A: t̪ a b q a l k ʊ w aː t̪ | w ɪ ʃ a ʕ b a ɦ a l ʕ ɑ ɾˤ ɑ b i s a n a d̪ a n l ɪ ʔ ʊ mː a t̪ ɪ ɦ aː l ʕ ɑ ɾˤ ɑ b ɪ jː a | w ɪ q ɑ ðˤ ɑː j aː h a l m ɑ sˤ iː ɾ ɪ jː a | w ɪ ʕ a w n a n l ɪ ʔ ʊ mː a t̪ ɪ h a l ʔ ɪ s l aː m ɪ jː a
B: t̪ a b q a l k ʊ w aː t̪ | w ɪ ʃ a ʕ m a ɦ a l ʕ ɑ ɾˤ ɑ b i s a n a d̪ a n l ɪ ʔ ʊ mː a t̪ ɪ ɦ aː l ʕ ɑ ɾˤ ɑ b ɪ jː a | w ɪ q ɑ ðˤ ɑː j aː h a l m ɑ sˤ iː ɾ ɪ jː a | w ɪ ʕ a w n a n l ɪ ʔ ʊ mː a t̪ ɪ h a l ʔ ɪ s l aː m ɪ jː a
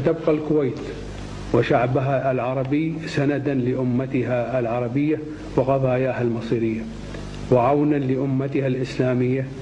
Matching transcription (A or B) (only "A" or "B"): A